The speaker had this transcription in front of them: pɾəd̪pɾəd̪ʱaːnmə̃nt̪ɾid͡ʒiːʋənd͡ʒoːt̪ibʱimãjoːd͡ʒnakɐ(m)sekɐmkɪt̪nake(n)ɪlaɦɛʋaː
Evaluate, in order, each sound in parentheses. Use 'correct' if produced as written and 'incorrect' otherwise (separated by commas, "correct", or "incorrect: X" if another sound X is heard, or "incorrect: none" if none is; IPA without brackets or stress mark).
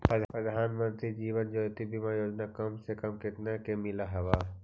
correct, incorrect: m